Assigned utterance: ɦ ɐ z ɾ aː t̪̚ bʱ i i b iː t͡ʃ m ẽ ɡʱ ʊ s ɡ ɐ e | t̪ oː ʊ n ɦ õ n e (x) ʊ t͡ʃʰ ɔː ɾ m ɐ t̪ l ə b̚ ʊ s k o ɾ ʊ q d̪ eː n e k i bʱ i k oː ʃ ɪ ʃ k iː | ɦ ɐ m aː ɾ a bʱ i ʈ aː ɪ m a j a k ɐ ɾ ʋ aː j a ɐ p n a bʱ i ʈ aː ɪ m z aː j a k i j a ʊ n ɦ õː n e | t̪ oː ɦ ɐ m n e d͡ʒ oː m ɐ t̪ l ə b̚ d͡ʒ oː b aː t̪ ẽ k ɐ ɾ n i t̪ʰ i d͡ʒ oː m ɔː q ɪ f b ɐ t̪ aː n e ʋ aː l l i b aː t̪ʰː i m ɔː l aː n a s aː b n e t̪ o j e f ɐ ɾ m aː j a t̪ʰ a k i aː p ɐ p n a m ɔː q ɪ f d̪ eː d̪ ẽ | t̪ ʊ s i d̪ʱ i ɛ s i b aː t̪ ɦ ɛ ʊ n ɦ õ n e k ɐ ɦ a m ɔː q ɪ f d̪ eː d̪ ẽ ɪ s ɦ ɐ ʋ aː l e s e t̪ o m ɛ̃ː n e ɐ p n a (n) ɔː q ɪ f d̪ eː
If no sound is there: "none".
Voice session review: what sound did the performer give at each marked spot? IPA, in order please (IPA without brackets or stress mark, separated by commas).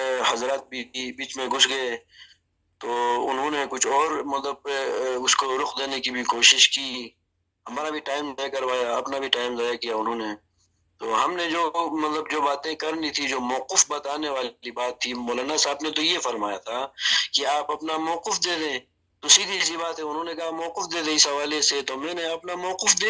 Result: k, m